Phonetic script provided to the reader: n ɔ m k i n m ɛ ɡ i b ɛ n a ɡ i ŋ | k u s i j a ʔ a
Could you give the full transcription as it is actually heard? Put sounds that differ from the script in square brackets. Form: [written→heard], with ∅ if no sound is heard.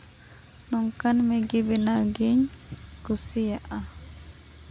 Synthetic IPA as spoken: n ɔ [m→ŋ] k [i→a] n m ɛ ɡ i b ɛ n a ɡ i [ŋ→ɲ] | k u s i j a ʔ a